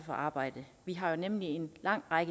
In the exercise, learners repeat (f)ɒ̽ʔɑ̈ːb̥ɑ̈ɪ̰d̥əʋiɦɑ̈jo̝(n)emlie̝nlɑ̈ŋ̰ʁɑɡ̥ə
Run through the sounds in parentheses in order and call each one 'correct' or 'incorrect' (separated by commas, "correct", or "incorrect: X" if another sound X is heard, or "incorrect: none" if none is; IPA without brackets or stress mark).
correct, correct